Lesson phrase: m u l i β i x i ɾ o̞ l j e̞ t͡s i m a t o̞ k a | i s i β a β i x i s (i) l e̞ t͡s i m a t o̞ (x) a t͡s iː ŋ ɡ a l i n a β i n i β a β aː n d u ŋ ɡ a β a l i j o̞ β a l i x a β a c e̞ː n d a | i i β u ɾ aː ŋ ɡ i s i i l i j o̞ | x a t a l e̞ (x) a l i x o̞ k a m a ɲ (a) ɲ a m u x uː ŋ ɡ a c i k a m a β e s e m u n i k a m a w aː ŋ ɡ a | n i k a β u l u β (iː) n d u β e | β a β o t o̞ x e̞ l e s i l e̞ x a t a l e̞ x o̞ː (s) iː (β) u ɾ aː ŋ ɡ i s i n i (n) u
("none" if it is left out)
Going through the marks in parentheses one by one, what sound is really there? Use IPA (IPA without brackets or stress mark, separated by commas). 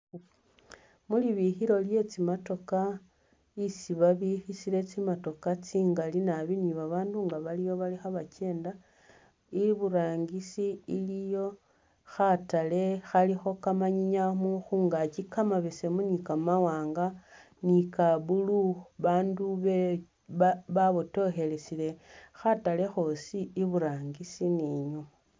i, k, x, i, aː, s, β, ɲ